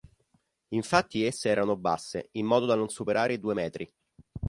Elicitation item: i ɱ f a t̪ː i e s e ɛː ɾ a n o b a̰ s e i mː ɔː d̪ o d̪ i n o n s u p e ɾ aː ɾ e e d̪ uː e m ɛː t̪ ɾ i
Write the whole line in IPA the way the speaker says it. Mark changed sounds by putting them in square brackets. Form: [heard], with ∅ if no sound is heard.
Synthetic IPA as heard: i ɱ f a t̪ː i e [sː] e ɛː ɾ a n o b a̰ [sː] e i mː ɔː d̪ o d̪ [a] n o n s u p e ɾ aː ɾ e [i] d̪ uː e m ɛː t̪ ɾ i